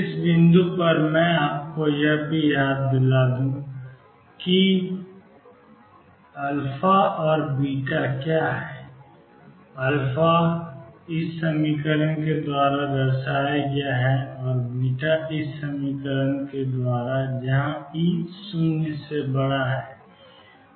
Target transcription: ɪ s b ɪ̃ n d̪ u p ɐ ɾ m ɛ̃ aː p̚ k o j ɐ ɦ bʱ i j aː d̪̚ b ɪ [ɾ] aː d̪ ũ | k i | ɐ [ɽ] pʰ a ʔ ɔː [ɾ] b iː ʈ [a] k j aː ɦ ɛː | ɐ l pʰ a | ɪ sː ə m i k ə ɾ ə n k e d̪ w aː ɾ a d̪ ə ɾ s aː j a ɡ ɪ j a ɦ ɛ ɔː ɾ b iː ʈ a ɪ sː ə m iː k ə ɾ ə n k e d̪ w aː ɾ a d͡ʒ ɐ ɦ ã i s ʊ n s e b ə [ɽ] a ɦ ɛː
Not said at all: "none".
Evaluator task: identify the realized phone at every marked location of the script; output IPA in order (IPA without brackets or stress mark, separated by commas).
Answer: l, l, ɾ, a, ɽ